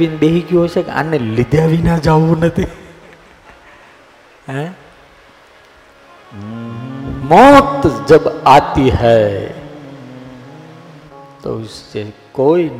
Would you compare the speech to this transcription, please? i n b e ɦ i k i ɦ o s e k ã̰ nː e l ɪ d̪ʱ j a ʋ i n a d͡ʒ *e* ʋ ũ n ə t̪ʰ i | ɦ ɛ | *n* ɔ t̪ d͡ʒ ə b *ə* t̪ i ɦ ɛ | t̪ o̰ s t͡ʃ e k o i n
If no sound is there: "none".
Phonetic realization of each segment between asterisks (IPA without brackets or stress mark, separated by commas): a, m, a